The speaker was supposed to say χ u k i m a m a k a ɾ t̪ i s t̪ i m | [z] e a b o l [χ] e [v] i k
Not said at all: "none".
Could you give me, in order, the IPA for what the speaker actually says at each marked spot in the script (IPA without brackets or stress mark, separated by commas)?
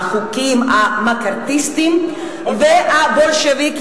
v, ʃ, v